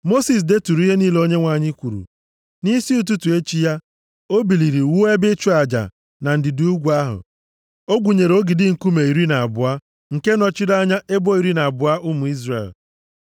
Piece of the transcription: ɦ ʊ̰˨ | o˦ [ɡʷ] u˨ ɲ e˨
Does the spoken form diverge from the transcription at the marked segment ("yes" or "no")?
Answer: no